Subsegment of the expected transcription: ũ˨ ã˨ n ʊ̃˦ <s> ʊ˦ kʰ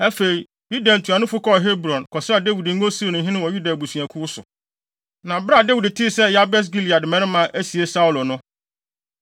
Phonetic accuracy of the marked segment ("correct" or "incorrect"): incorrect